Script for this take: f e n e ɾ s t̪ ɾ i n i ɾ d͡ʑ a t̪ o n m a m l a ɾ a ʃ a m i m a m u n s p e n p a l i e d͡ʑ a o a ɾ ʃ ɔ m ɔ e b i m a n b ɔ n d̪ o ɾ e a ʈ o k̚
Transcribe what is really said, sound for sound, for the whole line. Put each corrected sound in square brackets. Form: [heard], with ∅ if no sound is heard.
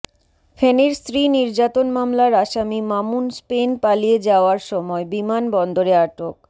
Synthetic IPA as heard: f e n e ɾ s t̪ ɾ i n i ɾ d͡ʑ a t̪ o n m a m l a ɾ a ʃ a m i m a m u n s p e n p a l i e d͡ʑ a o a ɾ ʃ ɔ m ɔ e b i m a n b ɔ n d̪ o ɾ e a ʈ o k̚